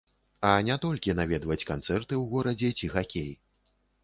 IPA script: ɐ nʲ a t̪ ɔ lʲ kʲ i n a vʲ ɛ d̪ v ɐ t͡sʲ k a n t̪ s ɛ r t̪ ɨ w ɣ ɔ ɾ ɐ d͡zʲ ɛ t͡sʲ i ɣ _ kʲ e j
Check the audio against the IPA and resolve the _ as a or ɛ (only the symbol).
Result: a